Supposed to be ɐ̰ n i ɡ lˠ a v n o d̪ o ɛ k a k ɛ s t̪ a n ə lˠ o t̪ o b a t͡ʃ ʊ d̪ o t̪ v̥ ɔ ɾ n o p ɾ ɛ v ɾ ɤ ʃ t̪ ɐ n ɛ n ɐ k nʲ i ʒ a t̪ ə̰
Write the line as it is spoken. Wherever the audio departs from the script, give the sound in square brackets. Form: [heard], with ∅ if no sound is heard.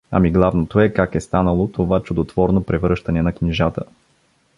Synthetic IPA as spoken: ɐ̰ [m] i ɡ lˠ a v n o [t̪] o ɛ k a k ɛ s t̪ a n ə lˠ o t̪ o [v] a t͡ʃ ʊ d̪ o t̪ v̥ ɔ ɾ n o p ɾ ɛ v ɾ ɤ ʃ t̪ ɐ n ɛ n ɐ k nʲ i ʒ a t̪ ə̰